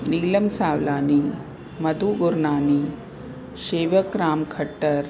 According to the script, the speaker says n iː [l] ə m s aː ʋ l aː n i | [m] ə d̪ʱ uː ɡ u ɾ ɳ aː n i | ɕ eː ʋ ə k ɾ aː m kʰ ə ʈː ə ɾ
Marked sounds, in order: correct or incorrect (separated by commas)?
correct, correct